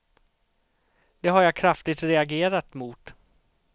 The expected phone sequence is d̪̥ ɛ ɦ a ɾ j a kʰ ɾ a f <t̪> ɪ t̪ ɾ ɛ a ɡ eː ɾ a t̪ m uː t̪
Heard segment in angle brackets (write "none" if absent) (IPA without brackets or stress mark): t̪